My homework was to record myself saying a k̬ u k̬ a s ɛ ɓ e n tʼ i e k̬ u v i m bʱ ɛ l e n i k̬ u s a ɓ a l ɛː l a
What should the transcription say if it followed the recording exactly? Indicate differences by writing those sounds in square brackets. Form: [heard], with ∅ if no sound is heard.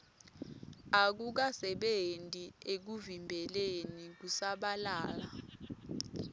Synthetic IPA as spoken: a k̬ u k̬ a s ɛ ɓ e n tʼ i e k̬ u v i m bʱ ɛ l e n i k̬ u s a ɓ a l [aː] l a